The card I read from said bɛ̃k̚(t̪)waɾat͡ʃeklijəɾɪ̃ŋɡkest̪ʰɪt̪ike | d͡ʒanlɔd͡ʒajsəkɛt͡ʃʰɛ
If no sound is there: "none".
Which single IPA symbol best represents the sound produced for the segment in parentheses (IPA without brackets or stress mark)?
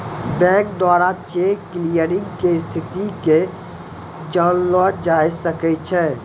d̪